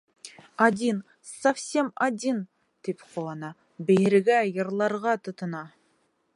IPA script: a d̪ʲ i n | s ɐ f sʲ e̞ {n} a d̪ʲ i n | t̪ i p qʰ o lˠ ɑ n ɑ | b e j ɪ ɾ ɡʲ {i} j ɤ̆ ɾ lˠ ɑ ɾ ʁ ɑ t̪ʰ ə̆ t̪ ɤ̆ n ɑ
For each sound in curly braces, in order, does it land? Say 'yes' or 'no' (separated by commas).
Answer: no, no